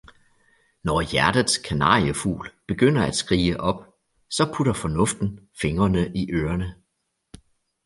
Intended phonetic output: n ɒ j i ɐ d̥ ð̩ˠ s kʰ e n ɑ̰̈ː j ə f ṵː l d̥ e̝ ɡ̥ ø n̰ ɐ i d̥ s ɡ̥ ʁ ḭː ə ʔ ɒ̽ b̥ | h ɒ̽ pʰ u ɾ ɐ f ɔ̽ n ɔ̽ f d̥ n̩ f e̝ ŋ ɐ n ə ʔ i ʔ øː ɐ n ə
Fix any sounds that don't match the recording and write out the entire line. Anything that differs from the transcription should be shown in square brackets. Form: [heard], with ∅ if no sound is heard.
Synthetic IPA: n ɒ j [æ] ɐ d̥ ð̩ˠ s kʰ [æ] n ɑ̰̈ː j ə f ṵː l [b̥] e̝ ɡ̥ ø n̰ ɐ [æ] d̥ s ɡ̥ ʁ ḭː ə ʔ ɒ̽ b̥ | [s] ɒ̽ pʰ u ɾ ɐ f [ɒ̽] n ɔ̽ f d̥ n̩ f e̝ ŋ ɐ n ə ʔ i ʔ øː ɐ n ə